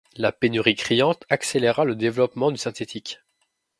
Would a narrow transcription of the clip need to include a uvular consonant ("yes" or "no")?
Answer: yes